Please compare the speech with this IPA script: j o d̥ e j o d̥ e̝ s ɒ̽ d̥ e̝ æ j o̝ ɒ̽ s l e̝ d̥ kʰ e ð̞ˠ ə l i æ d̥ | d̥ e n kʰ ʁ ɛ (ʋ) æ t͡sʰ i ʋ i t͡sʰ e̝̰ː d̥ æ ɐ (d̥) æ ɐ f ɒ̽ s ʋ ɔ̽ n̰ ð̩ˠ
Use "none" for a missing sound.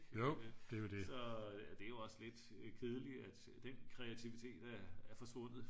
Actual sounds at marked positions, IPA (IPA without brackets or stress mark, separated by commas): none, none